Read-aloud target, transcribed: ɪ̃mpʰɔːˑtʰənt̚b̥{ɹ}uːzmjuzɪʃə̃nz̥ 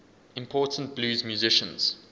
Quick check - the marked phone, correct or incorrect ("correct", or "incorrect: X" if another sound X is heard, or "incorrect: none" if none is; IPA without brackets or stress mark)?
incorrect: l